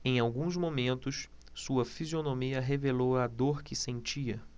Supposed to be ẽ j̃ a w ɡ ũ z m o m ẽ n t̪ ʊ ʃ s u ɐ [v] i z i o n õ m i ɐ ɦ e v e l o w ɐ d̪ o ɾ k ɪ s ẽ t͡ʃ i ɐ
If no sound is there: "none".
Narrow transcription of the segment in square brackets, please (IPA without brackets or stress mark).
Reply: f